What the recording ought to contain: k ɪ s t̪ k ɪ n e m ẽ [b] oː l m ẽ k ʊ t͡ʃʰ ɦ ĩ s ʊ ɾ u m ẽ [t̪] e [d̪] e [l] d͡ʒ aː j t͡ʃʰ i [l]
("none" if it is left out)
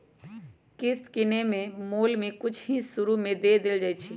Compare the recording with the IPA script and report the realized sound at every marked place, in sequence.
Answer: m, d̪, d̪, l, none

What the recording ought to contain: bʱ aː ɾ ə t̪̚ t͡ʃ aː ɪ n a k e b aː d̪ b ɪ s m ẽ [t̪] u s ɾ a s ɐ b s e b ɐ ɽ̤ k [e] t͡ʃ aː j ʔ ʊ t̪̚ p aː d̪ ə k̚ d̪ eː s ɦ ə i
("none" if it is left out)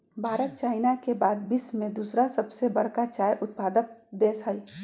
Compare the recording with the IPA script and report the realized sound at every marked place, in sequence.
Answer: d̪, a

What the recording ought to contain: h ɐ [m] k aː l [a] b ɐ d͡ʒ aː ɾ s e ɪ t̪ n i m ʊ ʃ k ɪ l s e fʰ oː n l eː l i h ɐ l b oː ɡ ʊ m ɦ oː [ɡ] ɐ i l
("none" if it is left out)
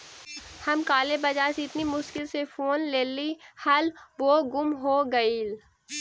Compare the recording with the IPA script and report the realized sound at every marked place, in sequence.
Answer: m, e, ɡ

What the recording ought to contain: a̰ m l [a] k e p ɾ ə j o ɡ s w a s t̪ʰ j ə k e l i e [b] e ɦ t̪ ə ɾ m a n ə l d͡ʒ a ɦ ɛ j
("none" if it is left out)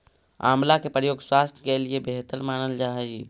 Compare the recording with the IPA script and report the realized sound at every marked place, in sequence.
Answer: a, b

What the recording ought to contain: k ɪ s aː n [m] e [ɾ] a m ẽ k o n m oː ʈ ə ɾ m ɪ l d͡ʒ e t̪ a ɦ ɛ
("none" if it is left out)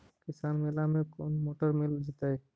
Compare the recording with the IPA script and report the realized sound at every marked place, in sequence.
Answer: m, l

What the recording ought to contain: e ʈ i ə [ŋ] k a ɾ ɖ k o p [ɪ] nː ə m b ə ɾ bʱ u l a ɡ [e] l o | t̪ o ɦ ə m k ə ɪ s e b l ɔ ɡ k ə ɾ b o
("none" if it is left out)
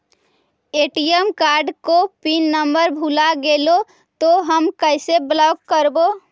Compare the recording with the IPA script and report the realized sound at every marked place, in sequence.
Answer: m, i, e

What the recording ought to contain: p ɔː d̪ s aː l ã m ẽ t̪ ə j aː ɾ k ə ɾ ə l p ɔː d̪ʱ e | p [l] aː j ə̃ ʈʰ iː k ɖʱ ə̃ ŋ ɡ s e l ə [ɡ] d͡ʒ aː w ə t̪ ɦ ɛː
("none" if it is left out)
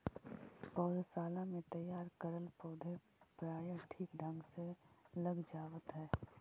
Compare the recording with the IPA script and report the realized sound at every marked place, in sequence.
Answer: ɾ, ɡ

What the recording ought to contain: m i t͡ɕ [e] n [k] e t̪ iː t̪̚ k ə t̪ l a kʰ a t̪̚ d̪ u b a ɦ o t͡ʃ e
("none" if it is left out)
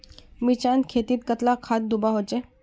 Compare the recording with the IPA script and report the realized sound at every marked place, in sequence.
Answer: a, kʰ

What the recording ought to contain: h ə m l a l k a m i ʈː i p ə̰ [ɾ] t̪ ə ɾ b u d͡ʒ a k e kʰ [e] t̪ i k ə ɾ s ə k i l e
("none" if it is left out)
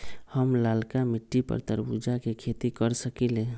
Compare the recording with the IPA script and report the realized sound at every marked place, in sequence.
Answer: ɾ, e

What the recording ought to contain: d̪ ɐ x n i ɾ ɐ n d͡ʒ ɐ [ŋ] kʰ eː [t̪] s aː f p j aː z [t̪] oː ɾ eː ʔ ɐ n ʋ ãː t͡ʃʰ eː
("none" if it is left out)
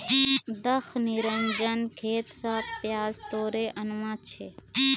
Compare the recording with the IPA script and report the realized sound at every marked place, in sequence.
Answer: n, t̪, t̪

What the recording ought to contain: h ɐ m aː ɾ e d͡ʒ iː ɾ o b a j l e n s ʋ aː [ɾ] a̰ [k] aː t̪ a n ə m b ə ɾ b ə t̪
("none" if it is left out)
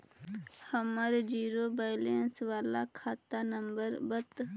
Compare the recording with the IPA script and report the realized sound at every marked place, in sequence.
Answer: l, kʰ

